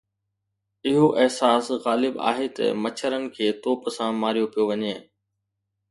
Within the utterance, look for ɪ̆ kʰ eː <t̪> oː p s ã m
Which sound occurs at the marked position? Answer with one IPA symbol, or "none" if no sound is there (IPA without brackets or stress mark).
t̪